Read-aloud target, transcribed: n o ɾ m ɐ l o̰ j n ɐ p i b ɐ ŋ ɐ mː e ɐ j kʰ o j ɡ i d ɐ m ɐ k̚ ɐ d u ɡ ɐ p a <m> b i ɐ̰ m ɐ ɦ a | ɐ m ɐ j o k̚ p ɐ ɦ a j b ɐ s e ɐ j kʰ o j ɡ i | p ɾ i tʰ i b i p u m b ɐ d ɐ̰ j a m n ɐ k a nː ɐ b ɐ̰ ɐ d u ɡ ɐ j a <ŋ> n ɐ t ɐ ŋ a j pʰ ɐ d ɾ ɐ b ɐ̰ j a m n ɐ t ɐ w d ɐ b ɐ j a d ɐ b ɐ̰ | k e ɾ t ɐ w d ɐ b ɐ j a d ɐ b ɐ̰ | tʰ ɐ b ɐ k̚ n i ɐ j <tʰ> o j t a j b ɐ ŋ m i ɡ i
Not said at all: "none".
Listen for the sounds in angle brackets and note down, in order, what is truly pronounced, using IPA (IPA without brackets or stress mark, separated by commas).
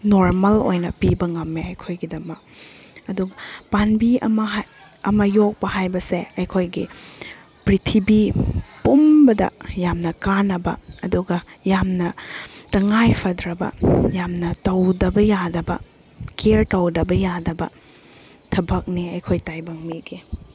n, m, kʰ